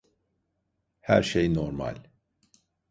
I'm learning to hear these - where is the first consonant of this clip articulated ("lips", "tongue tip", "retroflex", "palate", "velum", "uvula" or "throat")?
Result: throat